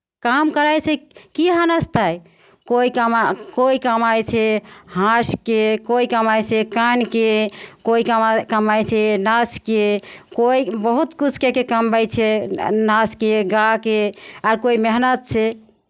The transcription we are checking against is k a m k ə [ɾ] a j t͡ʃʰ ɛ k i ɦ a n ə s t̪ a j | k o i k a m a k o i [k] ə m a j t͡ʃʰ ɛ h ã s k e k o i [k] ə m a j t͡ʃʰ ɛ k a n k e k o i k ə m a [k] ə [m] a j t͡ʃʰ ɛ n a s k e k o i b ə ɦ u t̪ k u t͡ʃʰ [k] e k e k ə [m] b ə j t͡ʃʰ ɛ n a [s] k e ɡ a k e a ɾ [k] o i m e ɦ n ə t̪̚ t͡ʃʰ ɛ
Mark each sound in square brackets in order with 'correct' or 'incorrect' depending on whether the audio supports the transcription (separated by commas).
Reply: correct, correct, correct, correct, correct, correct, correct, correct, correct